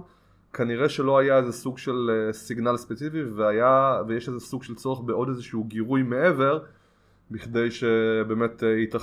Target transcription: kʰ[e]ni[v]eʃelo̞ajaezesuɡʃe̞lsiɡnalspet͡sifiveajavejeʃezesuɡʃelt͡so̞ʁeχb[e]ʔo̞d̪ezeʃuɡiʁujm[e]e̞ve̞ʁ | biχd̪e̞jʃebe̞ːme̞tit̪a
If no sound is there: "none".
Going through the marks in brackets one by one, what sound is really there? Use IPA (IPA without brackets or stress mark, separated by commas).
a, ʁ, e, e